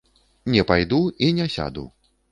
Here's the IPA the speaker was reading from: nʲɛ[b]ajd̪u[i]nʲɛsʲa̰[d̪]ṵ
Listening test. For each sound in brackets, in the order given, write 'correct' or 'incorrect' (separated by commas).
incorrect, correct, correct